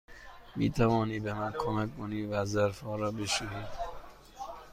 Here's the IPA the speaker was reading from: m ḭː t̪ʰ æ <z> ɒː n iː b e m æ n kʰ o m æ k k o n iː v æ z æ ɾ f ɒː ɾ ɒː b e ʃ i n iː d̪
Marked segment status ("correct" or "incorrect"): incorrect